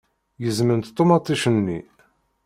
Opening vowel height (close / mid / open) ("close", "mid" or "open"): mid